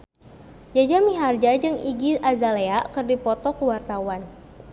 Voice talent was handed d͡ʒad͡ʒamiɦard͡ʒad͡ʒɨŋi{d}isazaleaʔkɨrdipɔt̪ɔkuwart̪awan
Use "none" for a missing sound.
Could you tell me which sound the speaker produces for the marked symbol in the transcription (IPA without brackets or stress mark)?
ɡ